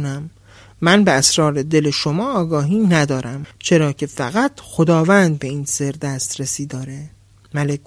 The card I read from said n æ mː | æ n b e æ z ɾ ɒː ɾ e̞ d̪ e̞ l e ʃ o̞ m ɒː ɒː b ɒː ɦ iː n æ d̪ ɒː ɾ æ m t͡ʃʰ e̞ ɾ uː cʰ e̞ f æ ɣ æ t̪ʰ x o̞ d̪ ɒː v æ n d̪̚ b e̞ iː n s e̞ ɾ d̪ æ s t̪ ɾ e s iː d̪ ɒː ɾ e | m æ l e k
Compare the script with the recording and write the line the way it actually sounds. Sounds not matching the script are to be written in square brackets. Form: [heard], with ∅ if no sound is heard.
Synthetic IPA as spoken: n æ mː | æ n b e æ [s] ɾ ɒː ɾ e̞ d̪ e̞ l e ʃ o̞ m ɒː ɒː [ɡ] ɒː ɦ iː n æ d̪ ɒː ɾ æ m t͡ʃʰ e̞ ɾ [ɒː] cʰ e̞ f æ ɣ æ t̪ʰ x o̞ d̪ ɒː v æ n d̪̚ b e̞ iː n s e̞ ɾ d̪ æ s t̪ ɾ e s iː d̪ ɒː ɾ e | m æ l e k